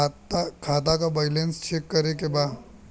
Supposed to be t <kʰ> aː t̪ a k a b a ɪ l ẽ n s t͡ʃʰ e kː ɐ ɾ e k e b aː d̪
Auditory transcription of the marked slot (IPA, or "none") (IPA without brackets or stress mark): kʰ